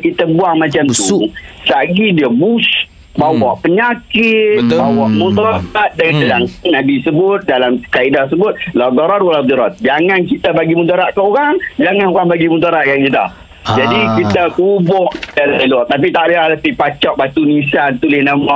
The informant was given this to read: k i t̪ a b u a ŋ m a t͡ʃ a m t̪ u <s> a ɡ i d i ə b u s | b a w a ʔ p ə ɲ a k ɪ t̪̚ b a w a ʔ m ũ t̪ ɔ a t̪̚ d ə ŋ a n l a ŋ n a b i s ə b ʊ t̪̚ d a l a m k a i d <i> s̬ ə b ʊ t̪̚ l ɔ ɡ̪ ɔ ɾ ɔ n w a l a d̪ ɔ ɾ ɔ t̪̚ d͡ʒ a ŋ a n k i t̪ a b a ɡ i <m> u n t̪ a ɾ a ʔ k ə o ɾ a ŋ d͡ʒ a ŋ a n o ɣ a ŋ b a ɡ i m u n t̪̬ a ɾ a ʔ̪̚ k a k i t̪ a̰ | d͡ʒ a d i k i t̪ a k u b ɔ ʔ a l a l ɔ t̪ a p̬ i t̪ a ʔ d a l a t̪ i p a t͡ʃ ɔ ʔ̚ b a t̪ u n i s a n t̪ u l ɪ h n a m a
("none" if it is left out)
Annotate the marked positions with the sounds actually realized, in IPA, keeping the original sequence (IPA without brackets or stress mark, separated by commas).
s, a, m